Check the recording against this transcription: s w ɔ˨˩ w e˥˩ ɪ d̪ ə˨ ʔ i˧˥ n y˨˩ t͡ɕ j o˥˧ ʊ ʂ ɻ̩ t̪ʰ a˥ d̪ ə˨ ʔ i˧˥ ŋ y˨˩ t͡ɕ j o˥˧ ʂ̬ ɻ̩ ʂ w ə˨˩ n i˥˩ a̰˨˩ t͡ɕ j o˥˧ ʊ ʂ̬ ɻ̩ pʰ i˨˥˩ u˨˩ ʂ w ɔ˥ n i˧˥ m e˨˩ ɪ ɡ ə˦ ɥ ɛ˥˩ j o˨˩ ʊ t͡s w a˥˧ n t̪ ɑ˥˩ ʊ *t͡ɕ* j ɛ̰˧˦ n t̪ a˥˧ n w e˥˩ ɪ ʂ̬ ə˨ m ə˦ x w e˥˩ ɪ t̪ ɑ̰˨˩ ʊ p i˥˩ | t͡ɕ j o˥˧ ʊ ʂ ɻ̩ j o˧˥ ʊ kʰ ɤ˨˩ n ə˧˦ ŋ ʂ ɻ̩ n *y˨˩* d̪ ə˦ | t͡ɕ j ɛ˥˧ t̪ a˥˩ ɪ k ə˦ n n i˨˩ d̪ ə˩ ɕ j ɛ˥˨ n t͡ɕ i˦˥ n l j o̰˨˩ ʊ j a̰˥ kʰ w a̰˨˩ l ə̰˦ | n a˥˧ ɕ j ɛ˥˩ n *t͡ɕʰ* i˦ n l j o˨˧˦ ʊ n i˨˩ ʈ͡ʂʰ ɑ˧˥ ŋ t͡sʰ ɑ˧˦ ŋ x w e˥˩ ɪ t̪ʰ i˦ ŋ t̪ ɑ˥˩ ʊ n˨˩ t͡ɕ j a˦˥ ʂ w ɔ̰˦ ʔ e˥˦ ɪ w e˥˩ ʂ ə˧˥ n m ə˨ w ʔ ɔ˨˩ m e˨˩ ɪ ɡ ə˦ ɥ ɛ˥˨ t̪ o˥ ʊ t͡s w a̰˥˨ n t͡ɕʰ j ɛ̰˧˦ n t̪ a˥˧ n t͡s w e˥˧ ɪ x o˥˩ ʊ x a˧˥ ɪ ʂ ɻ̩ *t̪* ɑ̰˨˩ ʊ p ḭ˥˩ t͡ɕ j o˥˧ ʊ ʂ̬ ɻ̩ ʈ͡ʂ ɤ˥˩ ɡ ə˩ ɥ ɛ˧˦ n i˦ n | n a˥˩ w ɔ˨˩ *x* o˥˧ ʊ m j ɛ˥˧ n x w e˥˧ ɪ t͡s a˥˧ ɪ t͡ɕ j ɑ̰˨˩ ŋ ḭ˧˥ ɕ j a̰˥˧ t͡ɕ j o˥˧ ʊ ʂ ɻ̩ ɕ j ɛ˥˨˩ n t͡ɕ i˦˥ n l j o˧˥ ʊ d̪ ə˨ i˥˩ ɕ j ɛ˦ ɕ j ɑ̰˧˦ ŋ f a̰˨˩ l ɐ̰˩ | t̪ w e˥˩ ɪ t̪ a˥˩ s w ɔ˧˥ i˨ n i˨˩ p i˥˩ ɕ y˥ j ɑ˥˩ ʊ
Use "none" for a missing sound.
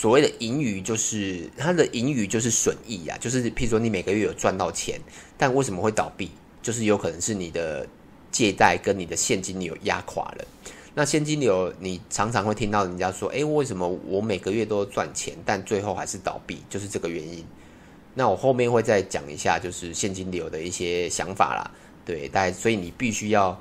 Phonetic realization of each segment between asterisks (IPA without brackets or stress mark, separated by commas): t͡ɕʰ, i˨˩, t͡ɕ, t̪, x